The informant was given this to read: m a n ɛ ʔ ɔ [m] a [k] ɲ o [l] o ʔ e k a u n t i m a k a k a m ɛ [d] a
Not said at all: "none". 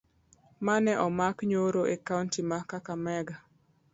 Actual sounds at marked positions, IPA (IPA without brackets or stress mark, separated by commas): m, k, ɾ, ɡ